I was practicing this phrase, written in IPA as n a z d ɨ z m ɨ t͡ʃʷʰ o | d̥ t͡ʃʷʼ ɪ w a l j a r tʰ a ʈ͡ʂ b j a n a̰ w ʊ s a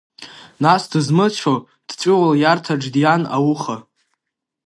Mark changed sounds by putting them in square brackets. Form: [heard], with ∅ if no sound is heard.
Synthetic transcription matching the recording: n a [s] d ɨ z m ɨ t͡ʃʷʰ o | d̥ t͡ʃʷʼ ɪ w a l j a r tʰ a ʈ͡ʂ [d] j a n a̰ w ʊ [χ] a